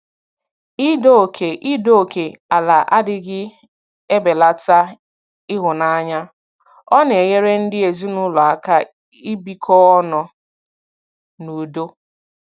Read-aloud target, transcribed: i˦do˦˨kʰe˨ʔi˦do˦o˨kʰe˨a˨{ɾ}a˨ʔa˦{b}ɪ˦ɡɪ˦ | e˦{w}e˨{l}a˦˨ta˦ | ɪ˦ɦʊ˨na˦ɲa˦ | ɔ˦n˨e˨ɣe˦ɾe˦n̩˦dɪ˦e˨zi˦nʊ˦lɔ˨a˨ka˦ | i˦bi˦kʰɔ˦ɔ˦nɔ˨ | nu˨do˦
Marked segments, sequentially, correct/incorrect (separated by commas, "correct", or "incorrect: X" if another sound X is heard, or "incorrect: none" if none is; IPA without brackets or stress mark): incorrect: l, incorrect: d, incorrect: b, correct